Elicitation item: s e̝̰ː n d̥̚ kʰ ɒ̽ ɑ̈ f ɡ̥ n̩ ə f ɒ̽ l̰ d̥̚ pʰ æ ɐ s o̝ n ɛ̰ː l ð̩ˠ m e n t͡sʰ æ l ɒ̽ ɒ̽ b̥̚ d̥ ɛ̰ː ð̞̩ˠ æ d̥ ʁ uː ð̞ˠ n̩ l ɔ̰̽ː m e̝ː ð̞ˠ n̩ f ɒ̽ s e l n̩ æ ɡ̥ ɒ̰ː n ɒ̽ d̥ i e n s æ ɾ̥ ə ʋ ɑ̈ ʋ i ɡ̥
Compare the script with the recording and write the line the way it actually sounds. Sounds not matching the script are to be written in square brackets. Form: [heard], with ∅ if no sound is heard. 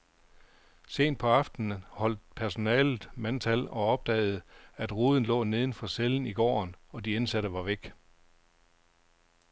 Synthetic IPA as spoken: s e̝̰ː n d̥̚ [pʰ] ɒ̽ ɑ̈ f [d̥] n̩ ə [h] ɒ̽ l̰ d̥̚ pʰ æ ɐ s o̝ n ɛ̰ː l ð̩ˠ m [æ] n t͡sʰ æ l ɒ̽ ɒ̽ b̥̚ d̥ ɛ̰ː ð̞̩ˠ æ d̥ ʁ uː ð̞ˠ n̩ l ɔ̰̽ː [n] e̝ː ð̞ˠ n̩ f ɒ̽ s e l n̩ [i] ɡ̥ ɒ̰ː n ɒ̽ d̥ i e n s æ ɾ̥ ə ʋ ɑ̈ ʋ [e] ɡ̥